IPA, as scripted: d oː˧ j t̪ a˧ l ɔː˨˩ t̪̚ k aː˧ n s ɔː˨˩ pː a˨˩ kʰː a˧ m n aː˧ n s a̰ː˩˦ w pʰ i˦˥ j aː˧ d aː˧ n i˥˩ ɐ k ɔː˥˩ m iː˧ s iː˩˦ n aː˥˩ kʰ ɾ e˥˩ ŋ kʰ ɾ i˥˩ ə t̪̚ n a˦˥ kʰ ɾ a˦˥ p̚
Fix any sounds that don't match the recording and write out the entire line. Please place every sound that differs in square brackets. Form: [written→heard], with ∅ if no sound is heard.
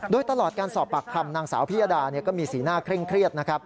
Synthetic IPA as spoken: d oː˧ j t̪ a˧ l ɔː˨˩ t̪̚ k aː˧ n s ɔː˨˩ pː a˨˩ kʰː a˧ m n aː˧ [n→ŋ] s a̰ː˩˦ w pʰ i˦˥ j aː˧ d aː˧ n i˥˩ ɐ k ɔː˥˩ m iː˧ s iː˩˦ n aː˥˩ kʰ ɾ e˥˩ ŋ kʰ ɾ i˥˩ ə t̪̚ n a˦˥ kʰ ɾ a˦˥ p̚